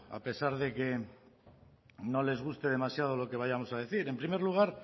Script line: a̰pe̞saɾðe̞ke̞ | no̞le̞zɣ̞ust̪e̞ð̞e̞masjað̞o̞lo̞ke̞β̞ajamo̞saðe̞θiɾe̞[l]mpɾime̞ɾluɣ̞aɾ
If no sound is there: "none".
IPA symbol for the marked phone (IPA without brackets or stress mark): none